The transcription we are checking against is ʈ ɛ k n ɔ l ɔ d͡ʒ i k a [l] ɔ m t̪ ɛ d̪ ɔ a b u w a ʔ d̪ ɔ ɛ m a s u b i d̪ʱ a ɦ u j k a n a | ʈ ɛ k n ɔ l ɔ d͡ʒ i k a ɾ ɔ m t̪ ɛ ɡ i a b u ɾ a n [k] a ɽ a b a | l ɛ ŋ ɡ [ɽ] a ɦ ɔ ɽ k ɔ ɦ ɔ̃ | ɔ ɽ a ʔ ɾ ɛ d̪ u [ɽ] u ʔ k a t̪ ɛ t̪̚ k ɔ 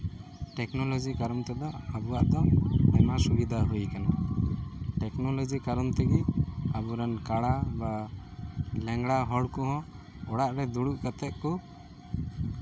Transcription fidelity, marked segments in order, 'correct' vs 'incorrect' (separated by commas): incorrect, correct, correct, correct